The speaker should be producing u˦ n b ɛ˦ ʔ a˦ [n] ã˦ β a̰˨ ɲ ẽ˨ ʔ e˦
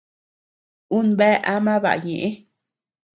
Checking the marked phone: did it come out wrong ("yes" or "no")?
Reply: yes